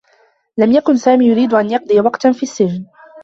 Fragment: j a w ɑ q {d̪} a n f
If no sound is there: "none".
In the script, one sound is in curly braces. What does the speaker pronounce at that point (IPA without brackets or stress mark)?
t̪